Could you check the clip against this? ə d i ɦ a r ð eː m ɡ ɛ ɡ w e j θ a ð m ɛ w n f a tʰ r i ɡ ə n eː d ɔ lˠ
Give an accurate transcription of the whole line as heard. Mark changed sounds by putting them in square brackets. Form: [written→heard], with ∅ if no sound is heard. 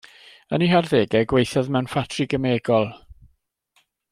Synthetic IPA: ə [d→n] i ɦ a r ð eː [m→∅] ɡ ɛ ɡ w e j θ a ð m ɛ w n f a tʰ r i ɡ ə [n→m] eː [d→ɡ] ɔ lˠ